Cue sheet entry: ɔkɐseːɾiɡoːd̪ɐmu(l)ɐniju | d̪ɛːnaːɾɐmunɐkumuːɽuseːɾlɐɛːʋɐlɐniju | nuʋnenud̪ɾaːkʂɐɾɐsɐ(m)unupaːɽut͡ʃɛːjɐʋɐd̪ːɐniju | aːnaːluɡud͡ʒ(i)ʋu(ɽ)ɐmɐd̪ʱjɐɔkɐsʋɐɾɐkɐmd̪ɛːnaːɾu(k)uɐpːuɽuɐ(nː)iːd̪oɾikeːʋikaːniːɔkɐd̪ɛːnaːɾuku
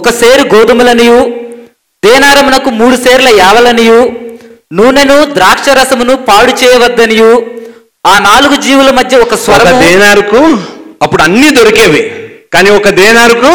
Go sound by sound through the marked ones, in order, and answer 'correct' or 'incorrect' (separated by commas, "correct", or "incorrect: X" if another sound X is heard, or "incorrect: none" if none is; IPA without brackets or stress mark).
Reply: correct, correct, incorrect: iː, incorrect: l, correct, correct